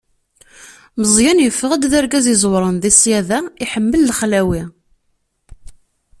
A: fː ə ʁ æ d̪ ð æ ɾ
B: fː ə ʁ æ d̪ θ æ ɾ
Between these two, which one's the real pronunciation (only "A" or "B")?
A